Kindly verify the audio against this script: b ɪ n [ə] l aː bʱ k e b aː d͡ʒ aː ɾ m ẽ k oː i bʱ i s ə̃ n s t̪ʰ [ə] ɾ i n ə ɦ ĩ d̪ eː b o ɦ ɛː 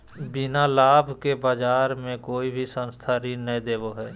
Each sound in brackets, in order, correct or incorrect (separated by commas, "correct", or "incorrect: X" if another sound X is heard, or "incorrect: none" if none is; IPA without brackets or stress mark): incorrect: a, incorrect: a